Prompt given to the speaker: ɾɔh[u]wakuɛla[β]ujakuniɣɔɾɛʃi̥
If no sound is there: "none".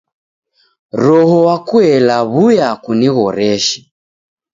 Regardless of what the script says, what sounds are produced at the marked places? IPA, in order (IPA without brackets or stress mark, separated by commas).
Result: ɔ, β